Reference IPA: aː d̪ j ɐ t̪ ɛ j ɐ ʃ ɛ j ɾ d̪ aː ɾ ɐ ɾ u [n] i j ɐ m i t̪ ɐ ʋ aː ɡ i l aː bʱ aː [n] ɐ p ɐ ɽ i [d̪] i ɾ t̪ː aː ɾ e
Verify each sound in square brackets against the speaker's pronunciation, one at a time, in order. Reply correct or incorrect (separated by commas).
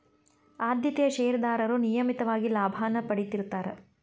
correct, correct, incorrect